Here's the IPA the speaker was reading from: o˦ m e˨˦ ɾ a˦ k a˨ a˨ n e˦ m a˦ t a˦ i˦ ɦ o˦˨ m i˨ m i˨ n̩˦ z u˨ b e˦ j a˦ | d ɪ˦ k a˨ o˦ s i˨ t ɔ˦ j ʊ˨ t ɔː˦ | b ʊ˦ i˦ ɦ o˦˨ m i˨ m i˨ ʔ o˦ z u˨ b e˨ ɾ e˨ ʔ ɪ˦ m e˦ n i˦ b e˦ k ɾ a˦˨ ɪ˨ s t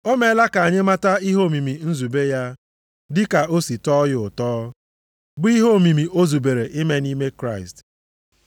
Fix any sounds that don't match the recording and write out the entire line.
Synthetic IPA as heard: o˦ m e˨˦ l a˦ k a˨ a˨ ɲ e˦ m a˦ t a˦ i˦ ɦ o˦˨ m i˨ m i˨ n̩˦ z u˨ b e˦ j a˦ | d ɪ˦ k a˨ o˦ s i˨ t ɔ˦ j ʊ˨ t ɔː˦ | b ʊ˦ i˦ ɦ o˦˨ m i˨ m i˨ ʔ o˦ z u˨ b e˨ ɾ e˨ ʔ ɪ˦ m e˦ n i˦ m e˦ k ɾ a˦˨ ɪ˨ s t

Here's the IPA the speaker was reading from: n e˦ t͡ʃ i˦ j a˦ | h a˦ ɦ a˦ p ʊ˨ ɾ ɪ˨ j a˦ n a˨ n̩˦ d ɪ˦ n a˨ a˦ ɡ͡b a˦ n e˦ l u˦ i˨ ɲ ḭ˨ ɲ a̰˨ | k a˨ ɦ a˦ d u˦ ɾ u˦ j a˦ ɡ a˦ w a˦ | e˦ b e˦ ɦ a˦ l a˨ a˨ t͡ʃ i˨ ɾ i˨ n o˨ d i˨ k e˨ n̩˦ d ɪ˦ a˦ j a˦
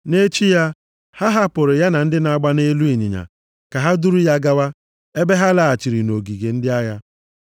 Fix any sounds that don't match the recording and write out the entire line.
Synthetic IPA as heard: n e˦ t͡ʃ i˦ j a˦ | h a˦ ɦ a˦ p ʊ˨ ɾ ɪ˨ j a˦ n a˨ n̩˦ d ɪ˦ n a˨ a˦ ɡ͡b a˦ n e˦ l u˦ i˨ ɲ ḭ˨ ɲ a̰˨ | k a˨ ɦ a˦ d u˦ ɾ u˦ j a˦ ɡ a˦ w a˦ | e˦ b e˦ ɦ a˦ l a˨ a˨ t͡ʃ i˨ ɾ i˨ n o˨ ɡ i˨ ɡ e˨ n̩˦ d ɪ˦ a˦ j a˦

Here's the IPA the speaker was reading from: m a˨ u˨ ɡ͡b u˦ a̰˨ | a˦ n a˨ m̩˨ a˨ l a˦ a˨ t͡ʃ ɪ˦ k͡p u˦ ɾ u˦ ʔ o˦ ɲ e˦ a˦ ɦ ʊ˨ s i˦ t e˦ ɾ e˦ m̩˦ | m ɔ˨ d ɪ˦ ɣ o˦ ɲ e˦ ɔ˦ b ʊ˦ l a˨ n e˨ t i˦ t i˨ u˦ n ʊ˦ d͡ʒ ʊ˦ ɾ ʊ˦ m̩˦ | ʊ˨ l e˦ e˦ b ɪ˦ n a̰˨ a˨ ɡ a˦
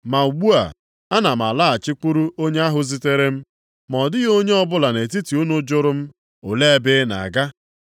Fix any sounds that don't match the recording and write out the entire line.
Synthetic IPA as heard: m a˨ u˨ ɡ͡b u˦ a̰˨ | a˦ n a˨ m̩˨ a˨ l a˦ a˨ t͡ʃ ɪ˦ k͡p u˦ ɾ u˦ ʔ o˦ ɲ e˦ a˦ ɦ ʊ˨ z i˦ t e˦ ɾ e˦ m̩˦ | m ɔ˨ d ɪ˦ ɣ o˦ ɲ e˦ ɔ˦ b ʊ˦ l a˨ n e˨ t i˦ t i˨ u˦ n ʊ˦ d͡ʒ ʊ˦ ɾ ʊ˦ m̩˦ | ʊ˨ l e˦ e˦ b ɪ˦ n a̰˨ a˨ ɡ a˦

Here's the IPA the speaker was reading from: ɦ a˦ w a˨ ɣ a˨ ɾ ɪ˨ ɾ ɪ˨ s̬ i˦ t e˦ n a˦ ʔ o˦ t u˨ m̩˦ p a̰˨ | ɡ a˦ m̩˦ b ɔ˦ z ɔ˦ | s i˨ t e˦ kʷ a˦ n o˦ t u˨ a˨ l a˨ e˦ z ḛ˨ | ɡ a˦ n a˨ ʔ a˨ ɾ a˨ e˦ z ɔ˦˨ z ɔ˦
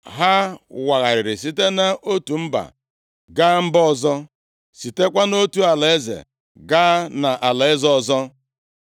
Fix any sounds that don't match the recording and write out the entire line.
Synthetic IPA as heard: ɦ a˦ w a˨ ɣ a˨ ɾ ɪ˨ ɾ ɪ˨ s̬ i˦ t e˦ n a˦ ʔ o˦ t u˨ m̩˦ b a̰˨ | ɡ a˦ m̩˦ b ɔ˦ z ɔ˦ | s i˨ t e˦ kʷ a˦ n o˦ t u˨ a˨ l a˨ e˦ z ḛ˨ | ɡ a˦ n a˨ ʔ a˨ l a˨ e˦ z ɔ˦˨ z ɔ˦

